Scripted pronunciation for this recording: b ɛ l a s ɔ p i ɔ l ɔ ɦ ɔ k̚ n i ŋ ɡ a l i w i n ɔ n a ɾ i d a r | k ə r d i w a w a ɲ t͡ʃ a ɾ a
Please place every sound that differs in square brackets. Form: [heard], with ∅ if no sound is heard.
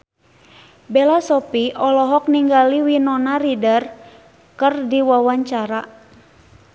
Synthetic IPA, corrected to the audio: b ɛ l a s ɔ p i ɔ l ɔ ɦ ɔ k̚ n i ŋ ɡ a l i w i n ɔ n a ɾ i d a r | k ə r d i w a w a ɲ t͡ʃ a ɾ a